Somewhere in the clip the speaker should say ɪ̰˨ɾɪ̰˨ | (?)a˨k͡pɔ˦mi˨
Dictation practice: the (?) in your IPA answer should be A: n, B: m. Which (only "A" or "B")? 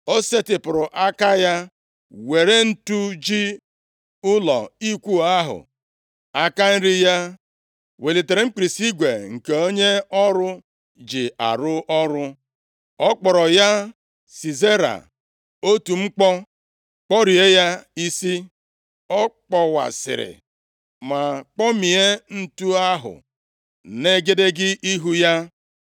B